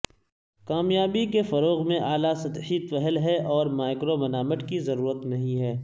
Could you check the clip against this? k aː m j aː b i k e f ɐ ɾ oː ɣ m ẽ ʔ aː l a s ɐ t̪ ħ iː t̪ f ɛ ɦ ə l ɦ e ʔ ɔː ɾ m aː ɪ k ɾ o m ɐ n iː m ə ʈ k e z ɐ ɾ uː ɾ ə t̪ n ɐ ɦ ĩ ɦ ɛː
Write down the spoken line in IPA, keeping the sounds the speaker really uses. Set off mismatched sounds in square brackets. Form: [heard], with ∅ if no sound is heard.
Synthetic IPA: k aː m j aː b i k e f ɐ ɾ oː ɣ m ẽ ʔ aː l a s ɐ t̪ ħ iː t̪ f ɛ ɦ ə l ɦ [ɛ] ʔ ɔː ɾ m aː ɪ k ɾ o m ɐ n [aː] m ə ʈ k [i] z ɐ ɾ uː ɾ ə t̪ n ɐ ɦ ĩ ɦ ɛː